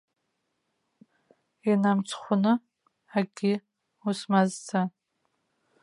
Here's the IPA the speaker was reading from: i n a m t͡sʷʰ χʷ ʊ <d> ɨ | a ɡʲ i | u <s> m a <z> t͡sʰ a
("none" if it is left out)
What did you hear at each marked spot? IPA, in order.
n, s, z

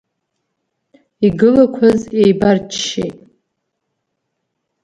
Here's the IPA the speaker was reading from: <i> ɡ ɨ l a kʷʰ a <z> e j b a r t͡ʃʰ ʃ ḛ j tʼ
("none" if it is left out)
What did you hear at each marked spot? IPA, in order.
i, z

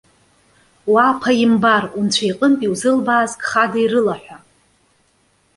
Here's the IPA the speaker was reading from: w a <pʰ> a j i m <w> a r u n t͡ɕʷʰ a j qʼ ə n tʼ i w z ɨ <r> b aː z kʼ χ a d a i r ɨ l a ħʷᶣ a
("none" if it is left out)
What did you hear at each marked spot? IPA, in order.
pʰ, b, l

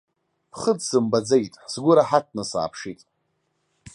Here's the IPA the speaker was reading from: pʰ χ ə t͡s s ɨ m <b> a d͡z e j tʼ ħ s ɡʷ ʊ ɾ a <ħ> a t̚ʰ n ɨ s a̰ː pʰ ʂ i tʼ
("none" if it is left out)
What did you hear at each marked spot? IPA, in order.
b, ħ

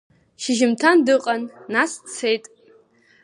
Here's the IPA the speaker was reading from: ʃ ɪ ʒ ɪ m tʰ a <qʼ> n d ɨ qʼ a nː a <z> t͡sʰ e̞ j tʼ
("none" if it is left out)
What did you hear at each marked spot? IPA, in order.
none, s

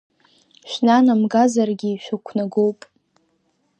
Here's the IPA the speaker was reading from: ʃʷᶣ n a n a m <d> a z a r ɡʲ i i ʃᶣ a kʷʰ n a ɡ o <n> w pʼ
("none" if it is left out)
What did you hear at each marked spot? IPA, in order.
ɡ, none

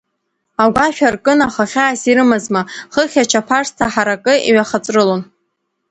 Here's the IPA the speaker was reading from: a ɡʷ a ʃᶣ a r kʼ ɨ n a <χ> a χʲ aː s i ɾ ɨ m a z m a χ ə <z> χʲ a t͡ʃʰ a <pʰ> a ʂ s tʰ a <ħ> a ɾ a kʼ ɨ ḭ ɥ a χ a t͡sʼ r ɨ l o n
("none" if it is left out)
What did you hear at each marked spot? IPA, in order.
χ, none, pʰ, ħ

